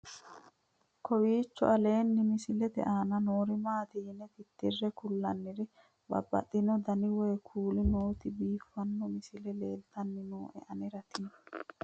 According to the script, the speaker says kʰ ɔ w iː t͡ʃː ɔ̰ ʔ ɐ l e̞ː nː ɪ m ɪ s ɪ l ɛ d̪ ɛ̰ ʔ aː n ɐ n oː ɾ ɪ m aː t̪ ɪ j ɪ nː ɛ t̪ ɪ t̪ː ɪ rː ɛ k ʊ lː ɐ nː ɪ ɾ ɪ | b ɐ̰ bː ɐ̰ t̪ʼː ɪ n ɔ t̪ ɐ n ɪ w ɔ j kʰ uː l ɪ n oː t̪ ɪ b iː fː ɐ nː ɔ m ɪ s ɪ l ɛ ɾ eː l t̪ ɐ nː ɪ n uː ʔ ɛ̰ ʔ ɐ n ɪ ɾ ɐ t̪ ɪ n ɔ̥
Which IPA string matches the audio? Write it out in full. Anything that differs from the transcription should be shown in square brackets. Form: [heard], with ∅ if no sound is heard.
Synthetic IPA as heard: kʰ ɔ w iː t͡ʃː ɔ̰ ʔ ɐ l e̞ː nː ɪ m ɪ s ɪ l ɛ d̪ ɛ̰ ʔ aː n ɐ n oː ɾ ɪ m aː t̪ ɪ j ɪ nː ɛ t̪ ɪ t̪ː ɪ rː ɛ k ʊ lː ɐ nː ɪ ɾ ɪ | b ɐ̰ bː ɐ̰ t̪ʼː ɪ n ɔ [d̪] ɐ n ɪ w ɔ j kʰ uː l ɪ n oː t̪ ɪ b iː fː ɐ nː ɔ m ɪ s ɪ l ɛ [l] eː l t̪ ɐ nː ɪ n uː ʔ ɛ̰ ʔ ɐ n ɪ ɾ ɐ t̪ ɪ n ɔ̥